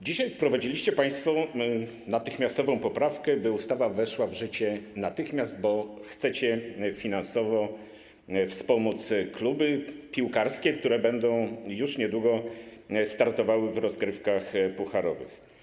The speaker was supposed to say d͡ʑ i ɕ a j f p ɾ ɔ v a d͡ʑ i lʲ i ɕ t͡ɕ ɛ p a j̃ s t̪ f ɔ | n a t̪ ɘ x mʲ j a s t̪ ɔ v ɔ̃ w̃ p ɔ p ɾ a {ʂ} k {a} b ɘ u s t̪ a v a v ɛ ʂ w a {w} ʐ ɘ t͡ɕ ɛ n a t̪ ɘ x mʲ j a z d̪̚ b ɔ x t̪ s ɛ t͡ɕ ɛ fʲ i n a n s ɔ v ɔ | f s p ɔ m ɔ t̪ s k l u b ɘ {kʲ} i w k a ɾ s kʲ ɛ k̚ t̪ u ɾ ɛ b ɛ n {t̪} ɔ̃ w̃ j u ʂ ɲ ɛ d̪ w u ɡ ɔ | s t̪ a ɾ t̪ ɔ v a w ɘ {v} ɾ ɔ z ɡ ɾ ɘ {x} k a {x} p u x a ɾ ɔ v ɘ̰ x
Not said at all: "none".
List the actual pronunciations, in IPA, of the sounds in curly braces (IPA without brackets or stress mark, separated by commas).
f, ɛ, v, pʲ, d̪, v, f, x